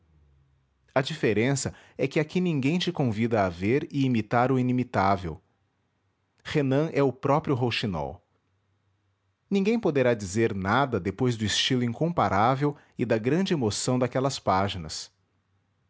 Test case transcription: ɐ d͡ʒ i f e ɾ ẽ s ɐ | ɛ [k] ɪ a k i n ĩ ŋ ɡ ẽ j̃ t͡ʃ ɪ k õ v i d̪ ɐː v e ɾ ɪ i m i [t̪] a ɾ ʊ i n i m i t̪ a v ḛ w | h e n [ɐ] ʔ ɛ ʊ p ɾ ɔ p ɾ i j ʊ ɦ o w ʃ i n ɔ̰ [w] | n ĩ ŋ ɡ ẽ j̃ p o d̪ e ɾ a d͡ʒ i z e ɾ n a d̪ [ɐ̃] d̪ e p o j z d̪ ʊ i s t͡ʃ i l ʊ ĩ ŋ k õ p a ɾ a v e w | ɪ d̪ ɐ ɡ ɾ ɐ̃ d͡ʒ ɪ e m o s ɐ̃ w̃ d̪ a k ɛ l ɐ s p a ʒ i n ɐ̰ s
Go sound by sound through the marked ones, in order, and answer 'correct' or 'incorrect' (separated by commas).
correct, correct, incorrect, correct, incorrect